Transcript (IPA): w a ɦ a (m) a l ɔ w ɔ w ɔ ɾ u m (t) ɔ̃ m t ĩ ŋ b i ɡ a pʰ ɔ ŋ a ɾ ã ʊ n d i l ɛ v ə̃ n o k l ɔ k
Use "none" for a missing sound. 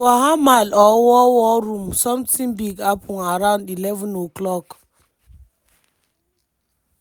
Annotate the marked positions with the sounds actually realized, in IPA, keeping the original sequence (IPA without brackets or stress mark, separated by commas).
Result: m, s